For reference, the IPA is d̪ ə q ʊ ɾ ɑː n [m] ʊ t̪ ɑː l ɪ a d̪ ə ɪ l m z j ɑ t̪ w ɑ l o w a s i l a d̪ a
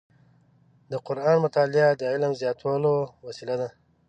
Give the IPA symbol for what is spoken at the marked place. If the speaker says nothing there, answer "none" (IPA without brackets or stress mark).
m